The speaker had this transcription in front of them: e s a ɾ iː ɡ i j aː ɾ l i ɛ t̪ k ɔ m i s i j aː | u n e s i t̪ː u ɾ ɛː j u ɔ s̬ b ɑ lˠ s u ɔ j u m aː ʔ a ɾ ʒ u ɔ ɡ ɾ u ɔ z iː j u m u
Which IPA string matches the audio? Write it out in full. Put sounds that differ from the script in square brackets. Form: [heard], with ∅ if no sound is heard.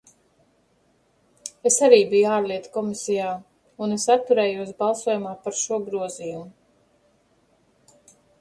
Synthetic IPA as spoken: e s a ɾ iː [b] i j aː ɾ l i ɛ t̪ k ɔ m i s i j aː | u n e s [a] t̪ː u ɾ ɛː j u ɔ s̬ b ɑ lˠ s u ɔ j u m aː [p] a ɾ [ʃ] u ɔ ɡ ɾ u ɔ z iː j u m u

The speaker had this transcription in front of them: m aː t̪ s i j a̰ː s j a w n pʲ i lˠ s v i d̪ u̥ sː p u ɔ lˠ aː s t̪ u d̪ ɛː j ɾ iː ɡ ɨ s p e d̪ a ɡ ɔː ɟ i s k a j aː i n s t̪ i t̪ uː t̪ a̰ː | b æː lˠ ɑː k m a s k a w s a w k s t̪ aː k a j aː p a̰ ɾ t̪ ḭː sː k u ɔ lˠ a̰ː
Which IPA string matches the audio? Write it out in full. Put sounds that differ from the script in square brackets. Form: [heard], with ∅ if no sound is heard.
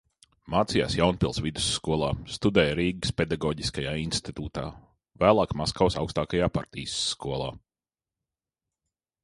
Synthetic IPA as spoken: m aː t̪ s i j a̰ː s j a w n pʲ i lˠ s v i d̪ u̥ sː [k] u ɔ lˠ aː s t̪ u d̪ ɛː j ɾ iː ɡ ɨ s p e d̪ a ɡ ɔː ɟ i s k a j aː i n s t̪ i t̪ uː t̪ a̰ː | [v] æː lˠ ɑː k m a s k a w s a w k s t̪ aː k a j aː p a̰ ɾ t̪ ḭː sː k u ɔ lˠ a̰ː

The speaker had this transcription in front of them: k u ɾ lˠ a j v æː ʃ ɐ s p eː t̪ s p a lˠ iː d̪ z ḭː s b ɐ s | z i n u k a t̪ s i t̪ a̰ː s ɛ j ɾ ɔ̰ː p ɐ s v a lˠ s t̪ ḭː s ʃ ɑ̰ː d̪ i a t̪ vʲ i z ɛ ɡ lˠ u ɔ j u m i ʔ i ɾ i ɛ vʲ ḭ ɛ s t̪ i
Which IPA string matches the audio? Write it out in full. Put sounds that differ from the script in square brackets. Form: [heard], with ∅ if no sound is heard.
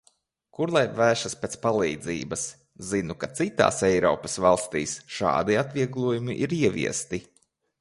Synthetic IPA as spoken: k u ɾ lˠ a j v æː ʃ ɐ s p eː t̪ s p a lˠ iː d̪ z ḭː [∅] b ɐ s | z i n u k a t̪ s i t̪ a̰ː s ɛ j ɾ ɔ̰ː p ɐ s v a lˠ s t̪ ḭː s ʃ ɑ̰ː d̪ i a t̪ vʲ i [∅] ɛ ɡ lˠ u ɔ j u m i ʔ i ɾ i ɛ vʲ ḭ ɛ s t̪ i

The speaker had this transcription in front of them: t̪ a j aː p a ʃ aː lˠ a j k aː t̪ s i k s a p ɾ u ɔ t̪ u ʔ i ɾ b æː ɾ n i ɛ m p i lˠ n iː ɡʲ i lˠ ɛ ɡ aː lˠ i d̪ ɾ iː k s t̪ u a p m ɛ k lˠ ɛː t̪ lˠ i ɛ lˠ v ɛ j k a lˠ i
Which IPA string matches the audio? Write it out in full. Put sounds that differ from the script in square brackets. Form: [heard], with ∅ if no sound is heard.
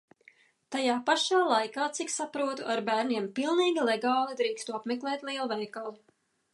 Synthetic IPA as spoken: t̪ a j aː p a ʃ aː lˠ a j k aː t̪ s i k s a p ɾ u ɔ t̪ u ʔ [a] ɾ b æː ɾ n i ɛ m p i lˠ n iː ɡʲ i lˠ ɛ ɡ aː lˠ i d̪ ɾ iː k s t̪ u a p m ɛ k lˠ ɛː t̪ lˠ i ɛ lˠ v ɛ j k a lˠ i

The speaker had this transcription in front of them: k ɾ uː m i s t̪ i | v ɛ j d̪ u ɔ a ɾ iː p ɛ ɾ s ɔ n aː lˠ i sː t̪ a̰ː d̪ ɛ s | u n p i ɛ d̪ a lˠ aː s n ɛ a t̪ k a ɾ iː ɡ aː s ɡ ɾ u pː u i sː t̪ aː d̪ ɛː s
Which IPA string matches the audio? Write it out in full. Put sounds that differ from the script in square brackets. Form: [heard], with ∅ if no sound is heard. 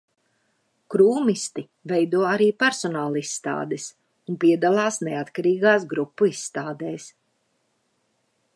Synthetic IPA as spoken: k ɾ uː m i s t̪ i | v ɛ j d̪ u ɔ a ɾ iː p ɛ ɾ s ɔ n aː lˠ i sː t̪ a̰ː d̪ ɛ s | u n p i ɛ d̪ a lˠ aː s n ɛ a t̪ k a ɾ iː ɡ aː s ɡ ɾ u pː u i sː t̪ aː d̪ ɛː s

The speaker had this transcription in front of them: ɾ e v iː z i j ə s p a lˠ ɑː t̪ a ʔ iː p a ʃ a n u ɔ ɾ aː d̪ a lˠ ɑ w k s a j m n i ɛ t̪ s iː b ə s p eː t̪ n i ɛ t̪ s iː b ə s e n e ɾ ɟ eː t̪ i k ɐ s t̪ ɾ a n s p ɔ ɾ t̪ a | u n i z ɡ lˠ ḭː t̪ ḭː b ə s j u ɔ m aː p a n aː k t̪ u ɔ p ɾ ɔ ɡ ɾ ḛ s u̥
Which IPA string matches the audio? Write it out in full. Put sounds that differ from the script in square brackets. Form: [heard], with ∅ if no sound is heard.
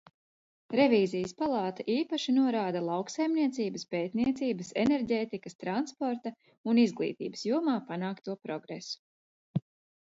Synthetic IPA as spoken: ɾ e v iː z i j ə s p a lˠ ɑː t̪ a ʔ iː p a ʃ [i] n u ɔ ɾ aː d̪ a lˠ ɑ w k s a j m n i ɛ t̪ s iː b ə s p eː t̪ n i ɛ t̪ s iː b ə s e n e ɾ ɟ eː t̪ i k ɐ s t̪ ɾ a n s p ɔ ɾ t̪ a | u n i z ɡ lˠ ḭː t̪ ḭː b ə s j u ɔ m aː p a n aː k t̪ u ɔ p ɾ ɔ ɡ ɾ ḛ s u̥

